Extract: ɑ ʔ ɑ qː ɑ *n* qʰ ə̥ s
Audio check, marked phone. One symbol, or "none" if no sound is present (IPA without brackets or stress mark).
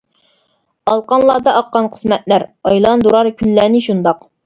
n